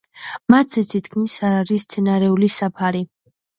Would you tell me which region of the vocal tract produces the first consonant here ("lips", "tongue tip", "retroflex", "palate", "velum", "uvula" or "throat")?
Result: lips